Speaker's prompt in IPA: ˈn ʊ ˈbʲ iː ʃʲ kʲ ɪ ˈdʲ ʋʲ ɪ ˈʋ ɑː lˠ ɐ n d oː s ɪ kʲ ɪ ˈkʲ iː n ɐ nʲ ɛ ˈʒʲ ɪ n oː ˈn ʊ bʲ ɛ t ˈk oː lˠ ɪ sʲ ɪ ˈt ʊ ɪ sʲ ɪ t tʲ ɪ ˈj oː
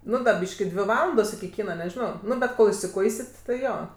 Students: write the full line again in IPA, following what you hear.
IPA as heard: ˈn ʊ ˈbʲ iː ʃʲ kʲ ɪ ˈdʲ ʋʲ ɪ ˈʋ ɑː lˠ ɐ n d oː s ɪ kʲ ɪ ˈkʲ iː n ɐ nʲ ɛ ˈʒʲ ɪ n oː ˈn ʊ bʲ ɛ t ˈk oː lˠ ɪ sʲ ɪ ˈk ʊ ɪ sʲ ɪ t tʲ ɪ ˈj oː